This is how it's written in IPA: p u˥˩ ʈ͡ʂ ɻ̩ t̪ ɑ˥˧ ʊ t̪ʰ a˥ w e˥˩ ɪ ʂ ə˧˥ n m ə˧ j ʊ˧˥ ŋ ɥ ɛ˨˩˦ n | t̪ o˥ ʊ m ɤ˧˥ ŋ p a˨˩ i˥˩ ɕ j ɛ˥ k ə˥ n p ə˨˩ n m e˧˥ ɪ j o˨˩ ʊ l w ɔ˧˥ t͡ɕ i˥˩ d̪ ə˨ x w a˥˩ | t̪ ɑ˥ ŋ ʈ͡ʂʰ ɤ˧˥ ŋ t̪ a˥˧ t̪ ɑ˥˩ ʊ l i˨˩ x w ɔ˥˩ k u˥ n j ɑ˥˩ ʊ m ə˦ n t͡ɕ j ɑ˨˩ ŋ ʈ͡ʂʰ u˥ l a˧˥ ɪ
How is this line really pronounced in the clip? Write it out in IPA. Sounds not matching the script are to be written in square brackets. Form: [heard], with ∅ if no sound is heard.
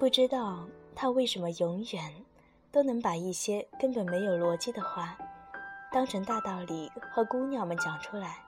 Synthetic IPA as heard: p u˥˩ ʈ͡ʂ ɻ̩ t̪ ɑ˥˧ ʊ t̪ʰ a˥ w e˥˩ ɪ ʂ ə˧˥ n m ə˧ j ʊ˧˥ ŋ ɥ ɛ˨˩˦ n | t̪ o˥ ʊ [n] ɤ˧˥ ŋ p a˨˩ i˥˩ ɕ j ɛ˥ k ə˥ n p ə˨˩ n m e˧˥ ɪ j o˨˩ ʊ l w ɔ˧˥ t͡ɕ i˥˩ d̪ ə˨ x w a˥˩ | t̪ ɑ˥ ŋ ʈ͡ʂʰ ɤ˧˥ ŋ t̪ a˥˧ t̪ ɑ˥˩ ʊ l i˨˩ x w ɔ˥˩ k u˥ n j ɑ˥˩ ʊ m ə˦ n t͡ɕ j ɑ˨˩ ŋ ʈ͡ʂʰ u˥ l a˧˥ ɪ